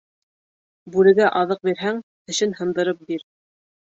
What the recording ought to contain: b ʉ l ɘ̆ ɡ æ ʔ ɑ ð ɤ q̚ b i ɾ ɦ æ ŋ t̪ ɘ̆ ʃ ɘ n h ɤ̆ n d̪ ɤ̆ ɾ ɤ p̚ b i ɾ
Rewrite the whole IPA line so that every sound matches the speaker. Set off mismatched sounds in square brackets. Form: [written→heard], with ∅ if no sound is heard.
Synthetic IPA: b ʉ l ɘ̆ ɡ æ ʔ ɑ ð ɤ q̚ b i ɾ ɦ æ ŋ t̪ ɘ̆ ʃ ɘ n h ɤ̆ n d̪ ɤ̆ ɾ ɤ p̚ b i ɾ